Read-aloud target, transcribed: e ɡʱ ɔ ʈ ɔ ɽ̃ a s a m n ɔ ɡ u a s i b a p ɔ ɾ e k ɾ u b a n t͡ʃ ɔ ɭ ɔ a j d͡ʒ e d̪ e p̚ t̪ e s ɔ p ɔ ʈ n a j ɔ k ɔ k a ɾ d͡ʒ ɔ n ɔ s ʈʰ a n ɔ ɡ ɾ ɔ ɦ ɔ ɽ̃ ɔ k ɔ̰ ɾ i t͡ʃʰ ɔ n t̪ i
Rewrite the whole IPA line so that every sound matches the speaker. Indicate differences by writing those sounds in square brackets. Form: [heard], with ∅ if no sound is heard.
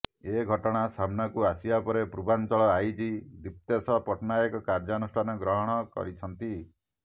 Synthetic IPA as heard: e ɡʱ ɔ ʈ ɔ ɽ̃ a s a m n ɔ [k] u a s i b a p ɔ ɾ e [p] ɾ u b a n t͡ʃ ɔ ɭ ɔ a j d͡ʒ [i] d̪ [i] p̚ t̪ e s ɔ p ɔ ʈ n a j ɔ k ɔ k a ɾ d͡ʒ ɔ n [u] s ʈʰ a n ɔ ɡ ɾ ɔ ɦ ɔ ɽ̃ ɔ k ɔ̰ ɾ i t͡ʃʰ ɔ n t̪ i